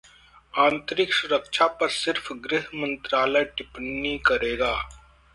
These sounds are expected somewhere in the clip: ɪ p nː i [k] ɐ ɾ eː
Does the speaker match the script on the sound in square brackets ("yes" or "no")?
yes